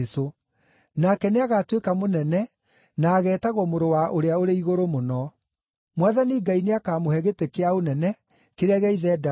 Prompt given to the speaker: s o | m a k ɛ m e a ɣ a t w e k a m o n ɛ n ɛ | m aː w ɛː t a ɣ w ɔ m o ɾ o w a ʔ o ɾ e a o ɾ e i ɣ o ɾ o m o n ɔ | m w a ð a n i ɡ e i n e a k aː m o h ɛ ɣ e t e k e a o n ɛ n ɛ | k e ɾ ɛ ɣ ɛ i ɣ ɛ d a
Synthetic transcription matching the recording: s o | n a k ɛ n e a ɣ a t w e k a m o n ɛ n ɛ | n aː ɣ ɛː t a ɣ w ɔ m o ɾ o w a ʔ o ɾ e a o ɾ e i ɣ o ɾ o m o n ɔ | m w a ð a n i ɡ a i n e a k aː m o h ɛ ɣ e t e k e a o n ɛ n ɛ | k e ɾ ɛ ɣ ɛ i ð ɛ d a